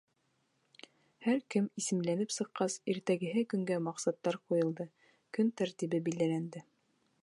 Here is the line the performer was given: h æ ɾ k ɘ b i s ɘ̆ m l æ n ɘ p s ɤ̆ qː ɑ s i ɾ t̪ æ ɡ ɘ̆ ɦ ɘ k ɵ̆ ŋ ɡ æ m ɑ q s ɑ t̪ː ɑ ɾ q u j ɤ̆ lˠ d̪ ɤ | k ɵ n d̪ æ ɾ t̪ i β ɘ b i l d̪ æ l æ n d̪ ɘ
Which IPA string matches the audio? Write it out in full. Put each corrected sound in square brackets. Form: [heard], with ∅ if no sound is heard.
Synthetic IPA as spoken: h æ ɾ k ɘ [m] i s ɘ̆ m l æ n ɘ p s ɤ̆ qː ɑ s i ɾ t̪ æ ɡ ɘ̆ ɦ ɘ k ɵ̆ ŋ ɡ æ m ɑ q s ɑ t̪ː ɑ ɾ q u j ɤ̆ lˠ d̪ ɤ | k ɵ n [t̪] æ ɾ t̪ i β ɘ b i l d̪ æ l æ n d̪ ɘ